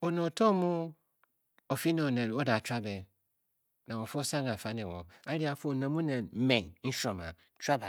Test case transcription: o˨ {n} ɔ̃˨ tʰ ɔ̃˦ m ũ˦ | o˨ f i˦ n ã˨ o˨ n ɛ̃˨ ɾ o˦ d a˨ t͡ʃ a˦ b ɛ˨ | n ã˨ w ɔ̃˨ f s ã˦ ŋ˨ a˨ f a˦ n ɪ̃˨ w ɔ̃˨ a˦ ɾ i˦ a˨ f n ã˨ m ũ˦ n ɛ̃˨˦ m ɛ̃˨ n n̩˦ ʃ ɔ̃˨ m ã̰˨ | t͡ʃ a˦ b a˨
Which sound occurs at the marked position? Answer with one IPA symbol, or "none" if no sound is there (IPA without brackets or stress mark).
n